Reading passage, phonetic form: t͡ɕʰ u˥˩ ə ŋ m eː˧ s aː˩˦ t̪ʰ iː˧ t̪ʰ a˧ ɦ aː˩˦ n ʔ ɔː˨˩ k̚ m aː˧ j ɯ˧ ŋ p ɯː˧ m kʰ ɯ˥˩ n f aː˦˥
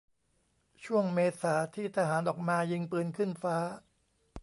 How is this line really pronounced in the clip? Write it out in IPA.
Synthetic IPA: t͡ɕʰ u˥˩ ə ŋ m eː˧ s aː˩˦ t̪ʰ iː˥˩ t̪ʰ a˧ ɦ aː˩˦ n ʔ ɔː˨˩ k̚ m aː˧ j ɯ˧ ŋ p ɯː˧ n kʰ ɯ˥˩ n f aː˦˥